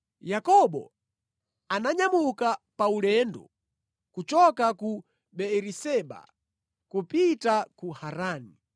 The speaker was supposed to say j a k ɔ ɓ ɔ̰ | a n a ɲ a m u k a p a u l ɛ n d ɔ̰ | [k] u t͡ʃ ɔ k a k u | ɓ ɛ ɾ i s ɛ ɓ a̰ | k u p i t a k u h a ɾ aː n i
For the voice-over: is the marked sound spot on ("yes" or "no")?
yes